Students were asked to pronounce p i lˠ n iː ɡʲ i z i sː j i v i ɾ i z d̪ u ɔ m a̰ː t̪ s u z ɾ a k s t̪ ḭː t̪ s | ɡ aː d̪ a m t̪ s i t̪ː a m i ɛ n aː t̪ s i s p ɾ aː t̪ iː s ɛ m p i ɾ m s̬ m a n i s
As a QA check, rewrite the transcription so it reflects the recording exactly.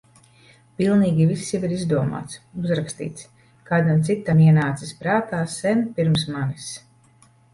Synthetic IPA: p i lˠ n iː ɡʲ i v i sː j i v i ɾ i z d̪ u ɔ m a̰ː t̪ s u z ɾ a k s t̪ ḭː t̪ s | k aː d̪ a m t̪ s i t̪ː a m i ɛ n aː t̪ s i s p ɾ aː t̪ aː s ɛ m p i ɾ m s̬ m a n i s